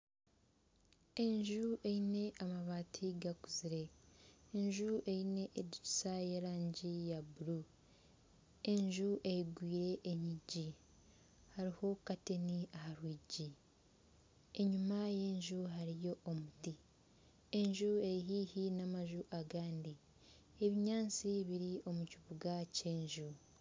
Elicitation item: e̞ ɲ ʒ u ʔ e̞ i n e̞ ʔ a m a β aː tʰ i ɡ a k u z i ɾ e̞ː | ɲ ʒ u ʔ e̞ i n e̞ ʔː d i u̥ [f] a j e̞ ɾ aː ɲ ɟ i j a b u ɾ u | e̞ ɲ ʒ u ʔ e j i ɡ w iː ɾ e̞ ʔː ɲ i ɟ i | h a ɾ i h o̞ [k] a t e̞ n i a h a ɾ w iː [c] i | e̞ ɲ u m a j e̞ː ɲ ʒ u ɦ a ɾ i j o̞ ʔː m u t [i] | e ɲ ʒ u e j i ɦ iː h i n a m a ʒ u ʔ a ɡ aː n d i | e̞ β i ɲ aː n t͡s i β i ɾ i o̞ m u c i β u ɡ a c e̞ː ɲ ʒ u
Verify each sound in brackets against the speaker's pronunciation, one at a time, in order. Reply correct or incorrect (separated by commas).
incorrect, correct, incorrect, correct